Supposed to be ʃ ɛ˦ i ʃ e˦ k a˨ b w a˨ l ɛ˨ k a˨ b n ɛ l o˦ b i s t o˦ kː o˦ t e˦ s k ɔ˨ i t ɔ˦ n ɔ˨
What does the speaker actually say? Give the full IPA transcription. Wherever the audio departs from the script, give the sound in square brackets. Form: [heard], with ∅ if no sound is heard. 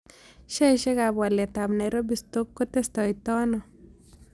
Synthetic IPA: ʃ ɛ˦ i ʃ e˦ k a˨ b w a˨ l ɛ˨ [t] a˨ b n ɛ [ɾ] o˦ b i s t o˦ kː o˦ t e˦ s [t] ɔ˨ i t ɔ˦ n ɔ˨